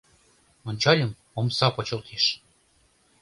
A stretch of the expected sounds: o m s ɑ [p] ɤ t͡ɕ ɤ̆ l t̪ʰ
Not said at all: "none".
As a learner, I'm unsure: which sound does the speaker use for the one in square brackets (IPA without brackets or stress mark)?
p